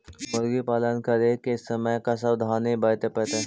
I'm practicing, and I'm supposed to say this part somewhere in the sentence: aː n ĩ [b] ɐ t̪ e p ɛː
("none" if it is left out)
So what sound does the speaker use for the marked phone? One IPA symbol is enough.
b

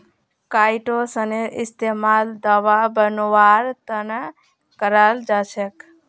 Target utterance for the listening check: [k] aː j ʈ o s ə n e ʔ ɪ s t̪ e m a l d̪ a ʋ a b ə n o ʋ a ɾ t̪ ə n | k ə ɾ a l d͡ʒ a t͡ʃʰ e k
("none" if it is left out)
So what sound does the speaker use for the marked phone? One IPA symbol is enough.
k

